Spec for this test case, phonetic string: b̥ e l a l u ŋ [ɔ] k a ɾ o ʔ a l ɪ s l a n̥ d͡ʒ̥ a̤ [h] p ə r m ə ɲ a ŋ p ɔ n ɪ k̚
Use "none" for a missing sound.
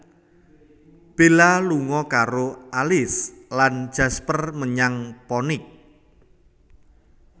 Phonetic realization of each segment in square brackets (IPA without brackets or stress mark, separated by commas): ɔ, s